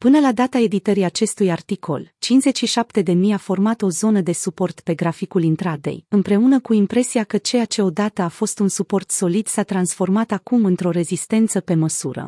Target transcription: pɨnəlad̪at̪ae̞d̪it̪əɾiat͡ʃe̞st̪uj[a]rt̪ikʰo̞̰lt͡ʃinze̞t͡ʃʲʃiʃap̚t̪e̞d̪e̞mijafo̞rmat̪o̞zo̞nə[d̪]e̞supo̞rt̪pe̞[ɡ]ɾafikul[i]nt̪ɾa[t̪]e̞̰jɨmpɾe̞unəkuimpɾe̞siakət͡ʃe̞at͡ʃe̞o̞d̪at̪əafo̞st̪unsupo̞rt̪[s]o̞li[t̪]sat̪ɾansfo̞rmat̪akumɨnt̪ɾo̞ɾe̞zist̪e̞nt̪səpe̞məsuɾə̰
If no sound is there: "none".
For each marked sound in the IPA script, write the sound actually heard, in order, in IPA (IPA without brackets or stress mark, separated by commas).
a, d̪, ɡ, i, d̪, s, d̪